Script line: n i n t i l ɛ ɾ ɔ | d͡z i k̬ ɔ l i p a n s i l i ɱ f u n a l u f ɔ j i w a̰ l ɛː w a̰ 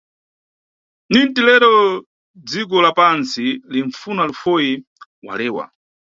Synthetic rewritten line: n i n t i l ɛ ɾ ɔ | d͡z i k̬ ɔ l a p a n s i l i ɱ f u n a l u f ɔ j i w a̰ l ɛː w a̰